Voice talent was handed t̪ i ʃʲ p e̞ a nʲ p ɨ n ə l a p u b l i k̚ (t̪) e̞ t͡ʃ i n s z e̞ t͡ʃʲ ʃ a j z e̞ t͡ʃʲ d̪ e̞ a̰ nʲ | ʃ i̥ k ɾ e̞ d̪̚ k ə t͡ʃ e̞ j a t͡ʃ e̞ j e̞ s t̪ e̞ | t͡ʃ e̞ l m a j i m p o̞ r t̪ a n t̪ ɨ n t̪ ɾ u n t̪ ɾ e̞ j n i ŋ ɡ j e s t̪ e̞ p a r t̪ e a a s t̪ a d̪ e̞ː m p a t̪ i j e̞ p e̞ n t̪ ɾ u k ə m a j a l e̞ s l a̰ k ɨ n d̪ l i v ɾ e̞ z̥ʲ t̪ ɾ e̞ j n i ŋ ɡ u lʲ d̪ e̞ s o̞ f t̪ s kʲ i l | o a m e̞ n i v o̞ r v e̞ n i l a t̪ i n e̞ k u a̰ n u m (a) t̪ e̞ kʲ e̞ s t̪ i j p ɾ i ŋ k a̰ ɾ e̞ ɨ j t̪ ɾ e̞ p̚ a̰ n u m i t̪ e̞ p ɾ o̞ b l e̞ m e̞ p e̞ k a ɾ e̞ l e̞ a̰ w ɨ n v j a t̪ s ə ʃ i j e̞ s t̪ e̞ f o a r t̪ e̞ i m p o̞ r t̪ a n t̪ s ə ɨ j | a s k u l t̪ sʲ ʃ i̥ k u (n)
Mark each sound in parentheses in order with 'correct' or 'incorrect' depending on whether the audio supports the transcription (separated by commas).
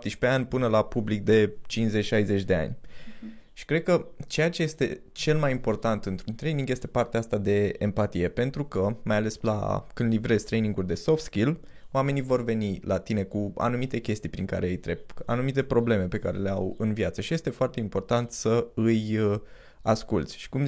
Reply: incorrect, incorrect, incorrect